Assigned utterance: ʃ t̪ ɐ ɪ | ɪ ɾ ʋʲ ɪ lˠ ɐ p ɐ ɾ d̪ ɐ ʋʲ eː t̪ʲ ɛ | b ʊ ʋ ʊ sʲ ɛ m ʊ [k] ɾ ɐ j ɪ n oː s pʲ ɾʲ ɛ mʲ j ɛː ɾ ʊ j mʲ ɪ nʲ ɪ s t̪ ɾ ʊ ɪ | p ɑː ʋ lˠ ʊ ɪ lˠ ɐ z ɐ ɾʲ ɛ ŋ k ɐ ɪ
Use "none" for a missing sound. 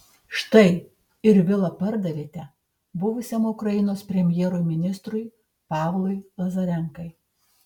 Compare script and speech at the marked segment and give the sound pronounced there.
k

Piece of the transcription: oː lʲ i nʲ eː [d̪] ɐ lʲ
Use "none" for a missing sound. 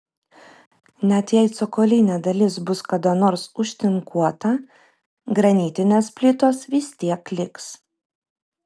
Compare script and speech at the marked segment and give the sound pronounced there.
d̪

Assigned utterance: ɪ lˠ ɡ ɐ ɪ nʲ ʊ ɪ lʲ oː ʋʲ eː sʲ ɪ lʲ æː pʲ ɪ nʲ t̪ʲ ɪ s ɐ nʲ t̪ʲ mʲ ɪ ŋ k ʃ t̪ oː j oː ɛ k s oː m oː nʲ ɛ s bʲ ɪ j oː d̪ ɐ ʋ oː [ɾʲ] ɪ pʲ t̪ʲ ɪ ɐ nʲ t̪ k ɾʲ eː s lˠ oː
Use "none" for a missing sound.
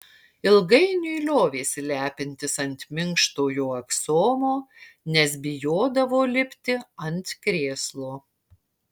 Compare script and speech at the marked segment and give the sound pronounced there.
lʲ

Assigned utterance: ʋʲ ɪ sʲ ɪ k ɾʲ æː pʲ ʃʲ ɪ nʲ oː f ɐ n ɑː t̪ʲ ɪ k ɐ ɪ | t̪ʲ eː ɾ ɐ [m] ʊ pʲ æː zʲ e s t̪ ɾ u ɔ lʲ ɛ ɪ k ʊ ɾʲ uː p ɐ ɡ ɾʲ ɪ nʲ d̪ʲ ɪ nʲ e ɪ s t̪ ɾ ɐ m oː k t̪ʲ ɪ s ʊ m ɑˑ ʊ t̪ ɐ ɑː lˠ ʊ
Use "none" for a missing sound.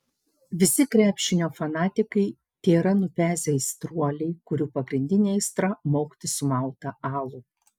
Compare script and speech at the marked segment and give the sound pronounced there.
n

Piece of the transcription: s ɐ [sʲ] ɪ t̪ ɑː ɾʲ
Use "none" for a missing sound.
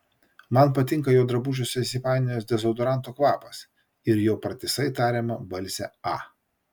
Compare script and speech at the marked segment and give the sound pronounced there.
none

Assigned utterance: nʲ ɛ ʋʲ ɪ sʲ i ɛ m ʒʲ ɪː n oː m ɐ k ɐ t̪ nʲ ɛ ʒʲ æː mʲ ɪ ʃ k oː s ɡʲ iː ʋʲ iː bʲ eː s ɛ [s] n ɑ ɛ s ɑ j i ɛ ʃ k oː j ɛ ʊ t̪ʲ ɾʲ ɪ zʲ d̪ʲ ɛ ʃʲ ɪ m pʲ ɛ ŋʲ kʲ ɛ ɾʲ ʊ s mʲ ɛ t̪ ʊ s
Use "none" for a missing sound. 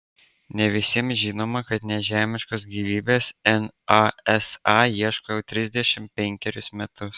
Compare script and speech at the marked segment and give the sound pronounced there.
none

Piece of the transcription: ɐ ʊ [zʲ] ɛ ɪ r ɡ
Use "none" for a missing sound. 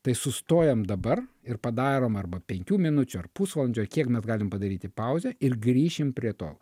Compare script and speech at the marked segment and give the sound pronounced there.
zʲ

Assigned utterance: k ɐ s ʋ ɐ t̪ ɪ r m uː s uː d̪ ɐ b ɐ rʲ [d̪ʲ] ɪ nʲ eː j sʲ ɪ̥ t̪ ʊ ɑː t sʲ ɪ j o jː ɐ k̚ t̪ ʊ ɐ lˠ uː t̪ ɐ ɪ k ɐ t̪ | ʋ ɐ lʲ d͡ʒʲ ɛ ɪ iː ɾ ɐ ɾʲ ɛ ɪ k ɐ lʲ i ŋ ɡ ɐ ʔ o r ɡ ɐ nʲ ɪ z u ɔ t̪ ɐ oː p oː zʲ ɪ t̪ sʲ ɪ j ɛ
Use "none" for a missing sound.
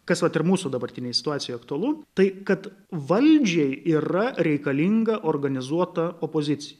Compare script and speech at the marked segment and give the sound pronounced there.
t̪ʲ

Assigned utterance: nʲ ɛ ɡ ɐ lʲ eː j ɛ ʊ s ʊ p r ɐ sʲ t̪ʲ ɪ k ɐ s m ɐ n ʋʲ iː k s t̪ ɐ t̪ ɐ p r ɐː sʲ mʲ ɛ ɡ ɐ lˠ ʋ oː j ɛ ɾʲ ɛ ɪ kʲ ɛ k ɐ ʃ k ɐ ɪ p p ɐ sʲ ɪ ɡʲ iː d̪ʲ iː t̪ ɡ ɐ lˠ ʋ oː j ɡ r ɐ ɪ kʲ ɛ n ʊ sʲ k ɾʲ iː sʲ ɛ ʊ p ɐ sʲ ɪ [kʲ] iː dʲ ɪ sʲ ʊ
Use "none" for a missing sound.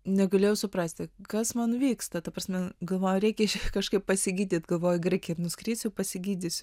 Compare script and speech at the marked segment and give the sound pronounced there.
ɡʲ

